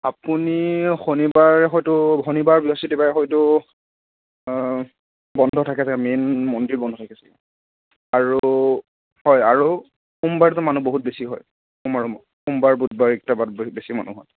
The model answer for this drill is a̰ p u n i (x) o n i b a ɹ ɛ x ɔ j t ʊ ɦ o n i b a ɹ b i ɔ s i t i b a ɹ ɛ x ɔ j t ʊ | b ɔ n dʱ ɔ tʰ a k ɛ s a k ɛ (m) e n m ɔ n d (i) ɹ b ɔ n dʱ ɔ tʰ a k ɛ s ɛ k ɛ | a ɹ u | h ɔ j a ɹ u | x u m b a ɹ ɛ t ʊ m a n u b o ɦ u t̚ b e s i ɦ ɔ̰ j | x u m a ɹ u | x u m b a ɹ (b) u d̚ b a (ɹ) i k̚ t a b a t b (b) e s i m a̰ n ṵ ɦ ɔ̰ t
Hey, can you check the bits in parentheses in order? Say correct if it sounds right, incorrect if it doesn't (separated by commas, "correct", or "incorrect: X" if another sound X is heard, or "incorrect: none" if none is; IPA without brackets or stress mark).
correct, correct, correct, correct, correct, correct